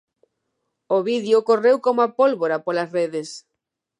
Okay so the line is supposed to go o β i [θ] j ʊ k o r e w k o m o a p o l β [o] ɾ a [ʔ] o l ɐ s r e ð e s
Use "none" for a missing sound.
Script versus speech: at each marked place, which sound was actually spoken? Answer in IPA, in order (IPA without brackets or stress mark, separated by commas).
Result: ð, o, p